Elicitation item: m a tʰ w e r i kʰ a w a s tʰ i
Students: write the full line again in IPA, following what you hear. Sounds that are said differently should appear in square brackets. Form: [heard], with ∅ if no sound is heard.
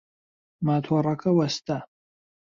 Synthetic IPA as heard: m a tʰ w [a] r [a] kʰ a w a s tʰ [a]

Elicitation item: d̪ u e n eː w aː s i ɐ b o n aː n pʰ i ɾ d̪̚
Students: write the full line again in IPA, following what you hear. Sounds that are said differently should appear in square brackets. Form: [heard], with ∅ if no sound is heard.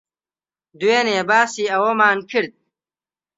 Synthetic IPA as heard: d̪ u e n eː [b] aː s i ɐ [w] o [m] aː n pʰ i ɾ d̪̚

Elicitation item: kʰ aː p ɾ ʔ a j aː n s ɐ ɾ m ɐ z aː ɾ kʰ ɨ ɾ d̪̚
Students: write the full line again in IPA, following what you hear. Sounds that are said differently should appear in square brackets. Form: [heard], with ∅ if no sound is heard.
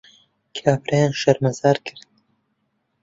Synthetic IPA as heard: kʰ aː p ɾ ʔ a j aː n [ʃ] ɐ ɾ m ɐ z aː ɾ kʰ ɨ ɾ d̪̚

